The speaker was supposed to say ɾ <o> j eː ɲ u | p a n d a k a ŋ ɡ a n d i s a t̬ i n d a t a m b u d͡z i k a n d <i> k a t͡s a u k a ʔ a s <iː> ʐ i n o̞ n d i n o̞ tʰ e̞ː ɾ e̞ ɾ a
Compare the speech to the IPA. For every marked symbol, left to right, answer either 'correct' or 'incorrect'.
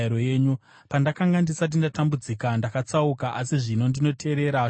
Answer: correct, incorrect: a, incorrect: i

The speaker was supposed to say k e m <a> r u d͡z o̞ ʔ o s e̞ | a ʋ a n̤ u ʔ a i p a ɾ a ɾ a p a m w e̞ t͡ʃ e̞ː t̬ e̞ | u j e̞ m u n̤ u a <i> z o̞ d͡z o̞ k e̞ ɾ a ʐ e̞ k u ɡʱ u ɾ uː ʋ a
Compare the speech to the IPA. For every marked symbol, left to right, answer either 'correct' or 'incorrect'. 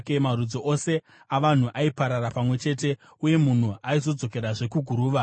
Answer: correct, correct

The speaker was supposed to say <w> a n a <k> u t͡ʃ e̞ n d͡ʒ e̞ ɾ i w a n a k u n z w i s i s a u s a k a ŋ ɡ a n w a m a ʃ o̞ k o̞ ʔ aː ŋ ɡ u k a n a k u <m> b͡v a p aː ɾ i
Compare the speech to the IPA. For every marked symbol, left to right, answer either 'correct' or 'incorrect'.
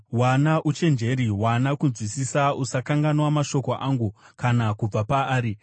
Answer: correct, incorrect: ʔ, incorrect: none

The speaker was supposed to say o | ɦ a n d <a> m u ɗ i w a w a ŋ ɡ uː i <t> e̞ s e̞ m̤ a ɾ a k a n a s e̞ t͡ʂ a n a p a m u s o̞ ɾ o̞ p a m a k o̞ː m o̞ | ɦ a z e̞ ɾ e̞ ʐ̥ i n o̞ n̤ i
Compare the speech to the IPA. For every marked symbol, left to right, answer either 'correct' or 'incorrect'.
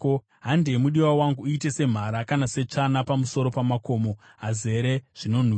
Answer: incorrect: e, correct

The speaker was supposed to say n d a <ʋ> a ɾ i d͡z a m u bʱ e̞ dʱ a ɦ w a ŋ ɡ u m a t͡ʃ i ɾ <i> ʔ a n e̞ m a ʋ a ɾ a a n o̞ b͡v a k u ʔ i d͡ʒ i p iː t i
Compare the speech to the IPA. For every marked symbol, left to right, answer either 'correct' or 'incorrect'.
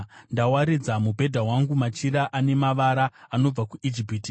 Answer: incorrect: w, incorrect: a

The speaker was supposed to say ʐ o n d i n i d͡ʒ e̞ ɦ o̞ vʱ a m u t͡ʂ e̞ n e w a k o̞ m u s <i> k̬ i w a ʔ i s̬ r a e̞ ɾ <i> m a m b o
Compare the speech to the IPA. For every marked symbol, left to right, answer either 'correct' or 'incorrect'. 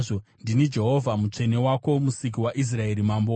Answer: correct, correct

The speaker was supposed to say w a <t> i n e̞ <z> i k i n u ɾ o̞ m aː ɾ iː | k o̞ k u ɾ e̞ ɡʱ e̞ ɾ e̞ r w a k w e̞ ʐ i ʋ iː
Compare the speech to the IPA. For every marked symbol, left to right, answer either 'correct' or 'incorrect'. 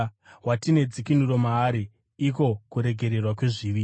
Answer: correct, incorrect: d͡z

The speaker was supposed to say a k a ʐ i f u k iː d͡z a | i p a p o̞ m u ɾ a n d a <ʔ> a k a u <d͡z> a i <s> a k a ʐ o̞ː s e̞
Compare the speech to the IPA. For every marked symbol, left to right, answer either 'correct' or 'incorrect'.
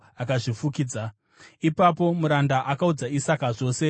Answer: correct, correct, correct

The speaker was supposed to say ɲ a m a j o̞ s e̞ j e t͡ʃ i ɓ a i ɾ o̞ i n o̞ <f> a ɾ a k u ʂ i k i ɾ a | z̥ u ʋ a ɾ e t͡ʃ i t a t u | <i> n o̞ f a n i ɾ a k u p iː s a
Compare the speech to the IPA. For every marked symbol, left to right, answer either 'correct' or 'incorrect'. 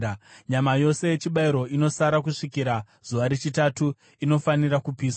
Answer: incorrect: s, correct

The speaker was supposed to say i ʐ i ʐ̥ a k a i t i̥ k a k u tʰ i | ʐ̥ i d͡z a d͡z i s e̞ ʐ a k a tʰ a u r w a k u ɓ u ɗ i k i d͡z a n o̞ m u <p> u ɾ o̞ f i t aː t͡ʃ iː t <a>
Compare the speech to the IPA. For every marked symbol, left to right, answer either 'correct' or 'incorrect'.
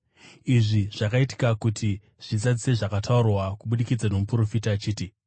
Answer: correct, incorrect: i

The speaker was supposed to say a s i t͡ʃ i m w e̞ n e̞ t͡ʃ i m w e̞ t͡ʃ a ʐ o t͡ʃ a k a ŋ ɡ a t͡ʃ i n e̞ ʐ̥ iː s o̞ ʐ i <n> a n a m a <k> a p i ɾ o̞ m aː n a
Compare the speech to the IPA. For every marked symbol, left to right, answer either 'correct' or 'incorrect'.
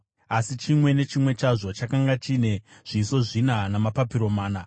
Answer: correct, incorrect: p

